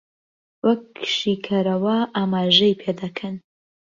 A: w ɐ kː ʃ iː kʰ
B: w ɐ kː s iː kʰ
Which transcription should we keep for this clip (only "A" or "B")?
A